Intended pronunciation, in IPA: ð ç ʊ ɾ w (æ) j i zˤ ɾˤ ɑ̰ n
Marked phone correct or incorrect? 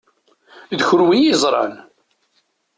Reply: incorrect: i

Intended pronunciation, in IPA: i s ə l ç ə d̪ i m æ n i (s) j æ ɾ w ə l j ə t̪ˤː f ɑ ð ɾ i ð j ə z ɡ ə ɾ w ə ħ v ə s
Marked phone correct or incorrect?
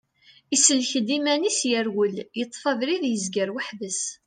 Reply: correct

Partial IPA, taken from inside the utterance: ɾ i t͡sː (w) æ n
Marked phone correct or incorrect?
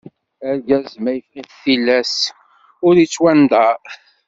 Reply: correct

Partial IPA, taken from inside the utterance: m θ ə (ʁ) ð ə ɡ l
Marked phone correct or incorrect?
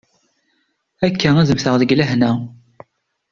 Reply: correct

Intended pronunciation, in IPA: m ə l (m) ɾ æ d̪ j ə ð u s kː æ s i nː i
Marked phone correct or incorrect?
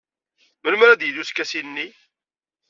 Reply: correct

